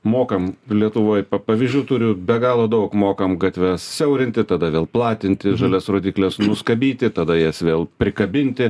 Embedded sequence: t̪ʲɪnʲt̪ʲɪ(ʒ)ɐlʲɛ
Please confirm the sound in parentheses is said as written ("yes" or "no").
yes